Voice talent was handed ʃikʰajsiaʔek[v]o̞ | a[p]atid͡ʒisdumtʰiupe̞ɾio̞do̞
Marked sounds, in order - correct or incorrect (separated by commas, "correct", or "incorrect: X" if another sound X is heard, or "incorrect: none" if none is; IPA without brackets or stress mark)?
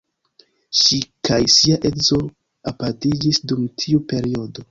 incorrect: z, correct